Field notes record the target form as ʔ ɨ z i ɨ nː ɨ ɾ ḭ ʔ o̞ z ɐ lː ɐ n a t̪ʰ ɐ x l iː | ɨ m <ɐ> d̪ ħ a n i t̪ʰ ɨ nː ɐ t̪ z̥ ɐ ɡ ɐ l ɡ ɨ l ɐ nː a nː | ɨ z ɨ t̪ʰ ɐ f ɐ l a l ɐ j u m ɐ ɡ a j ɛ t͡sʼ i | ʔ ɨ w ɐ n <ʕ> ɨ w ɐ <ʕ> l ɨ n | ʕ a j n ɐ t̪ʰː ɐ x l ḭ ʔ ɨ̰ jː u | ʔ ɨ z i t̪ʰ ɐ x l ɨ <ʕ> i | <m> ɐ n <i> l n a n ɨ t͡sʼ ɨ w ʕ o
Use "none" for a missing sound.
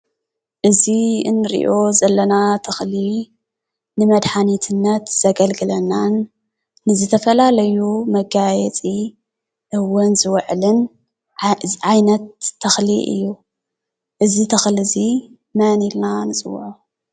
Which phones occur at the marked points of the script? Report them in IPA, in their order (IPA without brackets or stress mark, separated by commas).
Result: ɐ, z, ʕ, z, m, i